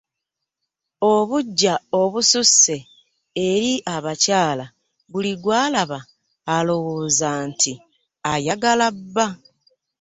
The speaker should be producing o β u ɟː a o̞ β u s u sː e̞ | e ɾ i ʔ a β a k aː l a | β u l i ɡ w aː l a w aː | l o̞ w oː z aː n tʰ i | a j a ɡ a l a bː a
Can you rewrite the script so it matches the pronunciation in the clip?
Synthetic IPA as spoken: o β u ɟː a o̞ β u s u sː e̞ | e ɾ i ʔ a β a c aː l a | β u l i ɡ w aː l a β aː | l o̞ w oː z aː n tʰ i | a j a ɡ a l a bː a